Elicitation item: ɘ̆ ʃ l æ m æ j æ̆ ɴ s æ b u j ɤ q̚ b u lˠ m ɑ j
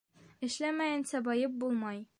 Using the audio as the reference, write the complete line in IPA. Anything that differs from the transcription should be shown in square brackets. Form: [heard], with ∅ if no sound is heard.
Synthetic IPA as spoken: ɘ̆ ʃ l æ m æ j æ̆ [n] s æ b [ɒ] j ɤ [p̚] b u lˠ m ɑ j